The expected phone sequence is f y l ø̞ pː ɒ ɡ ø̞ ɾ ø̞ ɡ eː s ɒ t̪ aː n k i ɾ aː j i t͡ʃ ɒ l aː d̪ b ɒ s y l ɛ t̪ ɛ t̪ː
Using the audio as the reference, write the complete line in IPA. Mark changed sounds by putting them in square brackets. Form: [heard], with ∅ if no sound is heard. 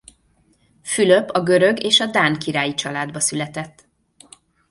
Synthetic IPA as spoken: f y l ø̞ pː ɒ ɡ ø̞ ɾ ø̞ ɡ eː [ʃ] ɒ [d̪] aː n k i ɾ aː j i t͡ʃ ɒ l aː d̪ b ɒ s y l ɛ t̪ ɛ t̪ː